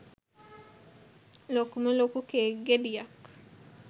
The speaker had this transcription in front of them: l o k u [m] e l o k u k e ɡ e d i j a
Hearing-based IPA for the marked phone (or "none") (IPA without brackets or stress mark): m